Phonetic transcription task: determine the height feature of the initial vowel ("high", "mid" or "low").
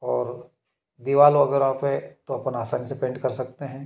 mid